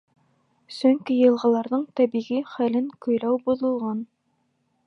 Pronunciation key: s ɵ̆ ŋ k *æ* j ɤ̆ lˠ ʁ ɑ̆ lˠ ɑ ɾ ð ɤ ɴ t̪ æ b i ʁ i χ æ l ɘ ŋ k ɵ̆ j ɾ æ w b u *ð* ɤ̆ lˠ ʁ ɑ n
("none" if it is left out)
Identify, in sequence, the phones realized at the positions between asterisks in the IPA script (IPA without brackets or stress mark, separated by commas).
i, ð